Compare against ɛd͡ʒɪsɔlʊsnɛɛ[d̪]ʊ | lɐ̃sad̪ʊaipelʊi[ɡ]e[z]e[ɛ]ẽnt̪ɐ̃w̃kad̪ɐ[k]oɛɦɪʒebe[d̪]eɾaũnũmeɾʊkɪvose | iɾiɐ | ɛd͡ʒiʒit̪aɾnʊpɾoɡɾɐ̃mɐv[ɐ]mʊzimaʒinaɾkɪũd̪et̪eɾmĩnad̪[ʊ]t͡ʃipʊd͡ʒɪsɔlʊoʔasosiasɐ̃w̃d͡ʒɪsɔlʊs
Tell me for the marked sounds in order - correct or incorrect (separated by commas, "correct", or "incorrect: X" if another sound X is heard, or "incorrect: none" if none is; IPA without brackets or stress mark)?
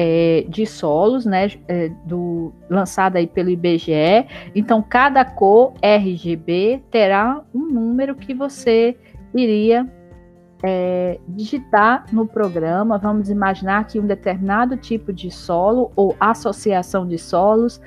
correct, incorrect: b, incorrect: ʒ, correct, correct, incorrect: t̪, incorrect: ɐ̃, correct